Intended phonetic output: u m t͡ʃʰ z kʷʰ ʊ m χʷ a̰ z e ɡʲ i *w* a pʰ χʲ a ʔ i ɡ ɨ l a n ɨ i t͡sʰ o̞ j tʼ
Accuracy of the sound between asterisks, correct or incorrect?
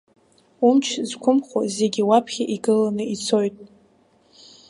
correct